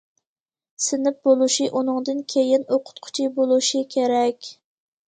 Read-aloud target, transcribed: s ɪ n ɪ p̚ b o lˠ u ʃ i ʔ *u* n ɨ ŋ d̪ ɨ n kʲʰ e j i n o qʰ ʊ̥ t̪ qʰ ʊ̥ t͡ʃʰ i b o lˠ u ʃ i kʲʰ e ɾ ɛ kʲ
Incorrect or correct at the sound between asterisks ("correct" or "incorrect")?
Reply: correct